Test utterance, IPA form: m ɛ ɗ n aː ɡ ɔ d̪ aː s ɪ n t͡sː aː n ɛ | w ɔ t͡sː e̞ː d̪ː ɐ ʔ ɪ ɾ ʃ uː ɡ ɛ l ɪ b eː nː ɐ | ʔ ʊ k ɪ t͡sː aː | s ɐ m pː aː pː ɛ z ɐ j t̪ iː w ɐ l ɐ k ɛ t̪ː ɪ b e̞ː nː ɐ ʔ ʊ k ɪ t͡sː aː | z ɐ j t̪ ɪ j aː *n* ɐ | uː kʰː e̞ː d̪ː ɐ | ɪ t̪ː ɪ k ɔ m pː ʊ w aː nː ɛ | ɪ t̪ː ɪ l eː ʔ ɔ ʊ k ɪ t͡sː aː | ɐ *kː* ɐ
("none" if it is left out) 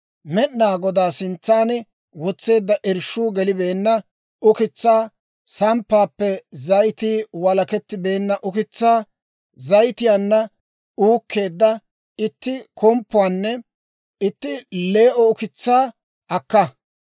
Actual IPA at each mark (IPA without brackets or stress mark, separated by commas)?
nː, kː